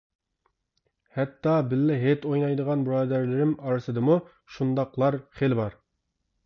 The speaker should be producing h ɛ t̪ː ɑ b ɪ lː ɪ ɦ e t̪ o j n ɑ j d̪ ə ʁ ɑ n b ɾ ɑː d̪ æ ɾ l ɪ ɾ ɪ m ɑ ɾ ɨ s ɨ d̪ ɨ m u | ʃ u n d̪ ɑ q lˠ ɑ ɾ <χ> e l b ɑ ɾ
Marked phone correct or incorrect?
correct